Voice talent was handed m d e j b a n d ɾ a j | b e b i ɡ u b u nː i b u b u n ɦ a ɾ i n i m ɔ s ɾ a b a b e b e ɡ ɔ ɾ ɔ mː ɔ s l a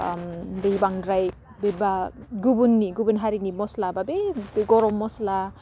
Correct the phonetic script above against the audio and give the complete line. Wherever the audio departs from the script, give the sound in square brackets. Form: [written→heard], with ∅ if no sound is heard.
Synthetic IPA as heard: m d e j b a [n→ŋ] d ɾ a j | b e b [i→a] ɡ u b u nː i [b→ɡ] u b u n ɦ a ɾ i n i m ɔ s [ɾ→l] a b a b e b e ɡ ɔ ɾ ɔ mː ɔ s l a